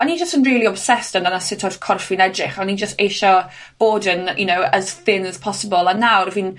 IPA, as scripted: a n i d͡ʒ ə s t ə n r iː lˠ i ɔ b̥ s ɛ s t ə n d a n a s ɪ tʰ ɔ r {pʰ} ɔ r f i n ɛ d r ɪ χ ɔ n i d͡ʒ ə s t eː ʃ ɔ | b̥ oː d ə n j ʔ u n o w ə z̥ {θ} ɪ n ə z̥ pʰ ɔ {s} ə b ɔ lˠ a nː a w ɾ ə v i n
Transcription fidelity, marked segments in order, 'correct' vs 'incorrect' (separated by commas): incorrect, correct, correct